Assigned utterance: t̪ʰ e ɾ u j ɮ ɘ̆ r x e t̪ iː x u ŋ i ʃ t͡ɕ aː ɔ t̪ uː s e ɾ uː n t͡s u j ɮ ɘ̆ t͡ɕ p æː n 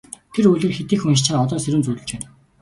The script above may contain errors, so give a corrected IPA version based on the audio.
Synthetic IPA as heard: t̪ʰ e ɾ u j ɮ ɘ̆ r x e t̪ iː x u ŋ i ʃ t͡ɕ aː ɔ t̪ ɔː s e ɾ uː n t͡s u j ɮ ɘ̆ t͡ɕ p æː n